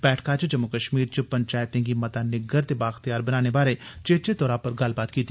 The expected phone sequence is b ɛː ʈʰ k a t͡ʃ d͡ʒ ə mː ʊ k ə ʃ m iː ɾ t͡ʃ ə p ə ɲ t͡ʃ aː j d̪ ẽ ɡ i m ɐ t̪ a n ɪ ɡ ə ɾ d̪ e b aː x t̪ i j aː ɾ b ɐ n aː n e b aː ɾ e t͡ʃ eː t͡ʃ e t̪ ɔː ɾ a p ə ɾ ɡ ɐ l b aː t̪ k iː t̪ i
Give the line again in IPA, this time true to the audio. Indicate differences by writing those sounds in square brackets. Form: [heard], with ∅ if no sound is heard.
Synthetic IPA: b ɛː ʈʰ k a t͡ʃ d͡ʒ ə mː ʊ k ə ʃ m iː ɾ t͡ʃ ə p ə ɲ t͡ʃ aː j [t̪] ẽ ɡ i m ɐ t̪ a n ɪ ɡ ə ɾ [t̪] e b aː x t̪ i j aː ɾ b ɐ n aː n e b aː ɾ e t͡ʃ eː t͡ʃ e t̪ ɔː ɾ a p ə ɾ ɡ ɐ l b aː t̪ k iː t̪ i